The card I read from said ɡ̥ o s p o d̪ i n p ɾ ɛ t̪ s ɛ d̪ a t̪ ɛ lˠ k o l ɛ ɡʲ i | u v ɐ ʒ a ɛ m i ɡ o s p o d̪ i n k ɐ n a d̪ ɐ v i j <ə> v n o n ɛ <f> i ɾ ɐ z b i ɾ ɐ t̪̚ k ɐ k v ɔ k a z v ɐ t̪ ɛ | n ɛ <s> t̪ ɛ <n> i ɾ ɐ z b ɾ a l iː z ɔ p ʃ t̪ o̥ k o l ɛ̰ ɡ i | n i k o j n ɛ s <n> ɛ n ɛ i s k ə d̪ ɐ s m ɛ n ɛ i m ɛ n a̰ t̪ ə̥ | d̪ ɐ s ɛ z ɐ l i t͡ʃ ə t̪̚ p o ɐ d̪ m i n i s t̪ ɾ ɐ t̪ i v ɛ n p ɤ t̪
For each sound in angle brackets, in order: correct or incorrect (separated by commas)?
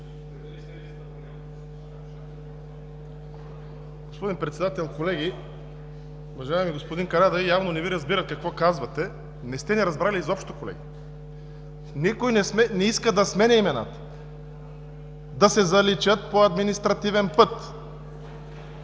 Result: incorrect, incorrect, correct, correct, incorrect